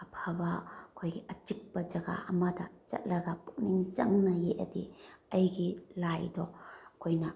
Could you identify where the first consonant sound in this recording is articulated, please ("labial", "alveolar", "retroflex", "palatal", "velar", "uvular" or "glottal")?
labial